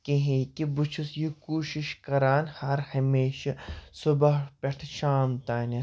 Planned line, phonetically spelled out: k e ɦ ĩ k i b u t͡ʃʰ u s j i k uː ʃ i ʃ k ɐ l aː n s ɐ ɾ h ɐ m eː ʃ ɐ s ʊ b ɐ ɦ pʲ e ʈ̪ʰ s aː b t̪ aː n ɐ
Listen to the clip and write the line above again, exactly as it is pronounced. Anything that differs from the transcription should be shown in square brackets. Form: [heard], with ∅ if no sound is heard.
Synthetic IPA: k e ɦ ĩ k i b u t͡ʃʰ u s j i k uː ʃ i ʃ k ɐ [ɾ] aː n [h] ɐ ɾ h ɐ m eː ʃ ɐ s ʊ b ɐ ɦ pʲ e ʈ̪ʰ [ʃ] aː [m] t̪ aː n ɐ